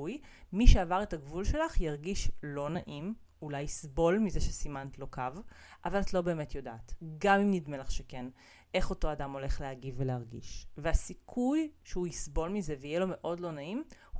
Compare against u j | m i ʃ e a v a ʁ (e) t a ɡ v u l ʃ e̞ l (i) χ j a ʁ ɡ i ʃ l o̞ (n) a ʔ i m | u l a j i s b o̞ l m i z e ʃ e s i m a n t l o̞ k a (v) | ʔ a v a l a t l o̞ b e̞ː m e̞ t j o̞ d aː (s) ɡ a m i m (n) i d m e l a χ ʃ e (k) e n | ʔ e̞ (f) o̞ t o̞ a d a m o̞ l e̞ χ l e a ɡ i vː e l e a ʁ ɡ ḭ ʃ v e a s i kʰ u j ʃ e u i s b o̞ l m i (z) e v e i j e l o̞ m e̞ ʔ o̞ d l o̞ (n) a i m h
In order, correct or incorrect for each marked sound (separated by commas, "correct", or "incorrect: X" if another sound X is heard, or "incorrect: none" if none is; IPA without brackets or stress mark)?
correct, incorrect: a, correct, correct, incorrect: t, correct, correct, incorrect: χ, correct, correct